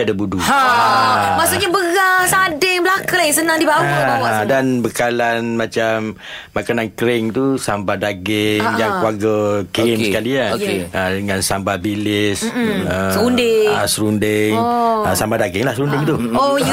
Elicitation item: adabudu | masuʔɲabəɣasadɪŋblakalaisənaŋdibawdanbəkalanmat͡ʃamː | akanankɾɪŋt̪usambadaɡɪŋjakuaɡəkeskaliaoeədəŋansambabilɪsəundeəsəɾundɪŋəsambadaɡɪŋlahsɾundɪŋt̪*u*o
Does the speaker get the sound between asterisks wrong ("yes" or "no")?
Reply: no